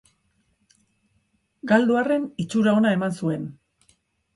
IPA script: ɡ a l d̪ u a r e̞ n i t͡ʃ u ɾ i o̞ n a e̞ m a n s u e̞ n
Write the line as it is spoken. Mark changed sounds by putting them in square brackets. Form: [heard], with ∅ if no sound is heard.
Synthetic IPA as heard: ɡ a l d̪ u a r e̞ n i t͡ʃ u ɾ [a] o̞ n a e̞ m a n s u e̞ n